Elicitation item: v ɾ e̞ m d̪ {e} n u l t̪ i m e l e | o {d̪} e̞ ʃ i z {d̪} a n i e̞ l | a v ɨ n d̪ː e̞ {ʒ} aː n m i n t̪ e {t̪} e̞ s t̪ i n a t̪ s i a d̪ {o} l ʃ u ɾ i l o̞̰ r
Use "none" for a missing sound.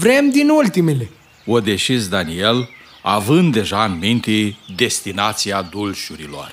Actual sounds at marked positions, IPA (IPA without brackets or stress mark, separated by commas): i, d̪, d̪, ʒ, d̪, u